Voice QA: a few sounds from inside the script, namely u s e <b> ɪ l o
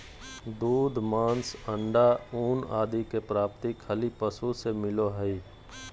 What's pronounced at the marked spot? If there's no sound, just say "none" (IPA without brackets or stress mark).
m